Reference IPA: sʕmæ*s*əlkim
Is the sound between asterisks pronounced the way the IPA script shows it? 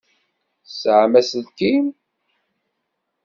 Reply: yes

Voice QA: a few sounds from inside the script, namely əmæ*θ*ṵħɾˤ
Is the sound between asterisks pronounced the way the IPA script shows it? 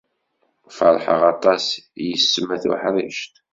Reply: yes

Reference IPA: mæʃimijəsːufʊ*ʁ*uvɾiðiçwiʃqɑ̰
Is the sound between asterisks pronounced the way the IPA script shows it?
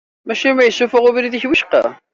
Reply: yes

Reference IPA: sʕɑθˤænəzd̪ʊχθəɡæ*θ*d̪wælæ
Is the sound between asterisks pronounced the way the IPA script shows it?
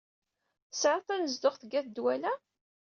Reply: yes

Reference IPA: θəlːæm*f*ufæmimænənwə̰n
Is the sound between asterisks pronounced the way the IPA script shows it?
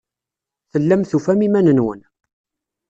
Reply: no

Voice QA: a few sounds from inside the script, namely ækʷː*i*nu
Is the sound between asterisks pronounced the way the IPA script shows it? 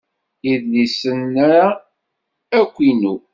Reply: yes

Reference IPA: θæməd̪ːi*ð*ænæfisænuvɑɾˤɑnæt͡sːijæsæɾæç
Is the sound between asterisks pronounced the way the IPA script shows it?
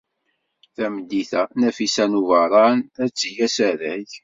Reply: no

